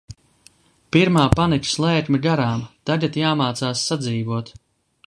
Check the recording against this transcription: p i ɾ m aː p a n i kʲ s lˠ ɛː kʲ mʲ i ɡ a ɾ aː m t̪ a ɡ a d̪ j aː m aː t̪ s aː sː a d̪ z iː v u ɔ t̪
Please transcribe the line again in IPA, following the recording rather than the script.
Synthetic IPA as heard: p i ɾ m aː p a n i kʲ s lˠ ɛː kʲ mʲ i ɡ a ɾ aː m t̪ a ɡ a t̪ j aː m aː t̪ s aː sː a d̪ z iː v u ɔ t̪

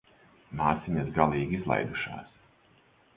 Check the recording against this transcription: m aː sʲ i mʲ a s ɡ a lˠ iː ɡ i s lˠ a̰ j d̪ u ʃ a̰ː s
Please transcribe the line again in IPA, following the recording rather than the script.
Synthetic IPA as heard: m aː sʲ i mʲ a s ɡ a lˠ iː ɡ i z lˠ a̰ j d̪ u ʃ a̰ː s

